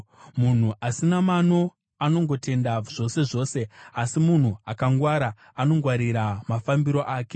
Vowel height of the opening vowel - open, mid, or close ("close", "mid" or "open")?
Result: close